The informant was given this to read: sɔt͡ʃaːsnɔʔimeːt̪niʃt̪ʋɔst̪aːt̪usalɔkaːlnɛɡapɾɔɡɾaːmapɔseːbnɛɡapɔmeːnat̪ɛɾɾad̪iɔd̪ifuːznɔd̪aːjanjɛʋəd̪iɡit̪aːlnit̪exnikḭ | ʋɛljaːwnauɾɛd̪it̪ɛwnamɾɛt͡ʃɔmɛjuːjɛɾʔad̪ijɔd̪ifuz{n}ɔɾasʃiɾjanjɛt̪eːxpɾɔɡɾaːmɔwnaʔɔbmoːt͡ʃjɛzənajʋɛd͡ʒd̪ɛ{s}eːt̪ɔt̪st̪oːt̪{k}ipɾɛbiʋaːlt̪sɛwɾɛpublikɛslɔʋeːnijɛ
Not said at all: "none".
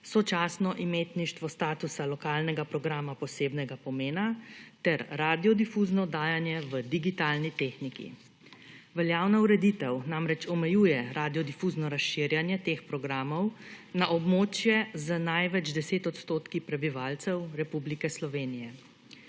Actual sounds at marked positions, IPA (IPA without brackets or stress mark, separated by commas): n, s, k